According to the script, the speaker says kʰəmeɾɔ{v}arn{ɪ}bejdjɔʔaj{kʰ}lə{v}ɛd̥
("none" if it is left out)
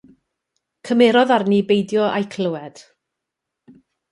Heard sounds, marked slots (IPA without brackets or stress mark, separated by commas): ð, i, kʰ, w